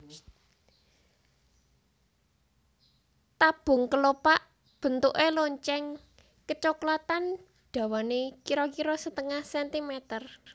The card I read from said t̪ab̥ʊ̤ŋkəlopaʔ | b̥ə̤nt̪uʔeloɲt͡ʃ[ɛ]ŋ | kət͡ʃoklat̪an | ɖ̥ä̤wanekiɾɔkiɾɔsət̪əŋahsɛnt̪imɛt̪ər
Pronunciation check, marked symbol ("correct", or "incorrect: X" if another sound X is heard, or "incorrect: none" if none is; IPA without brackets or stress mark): correct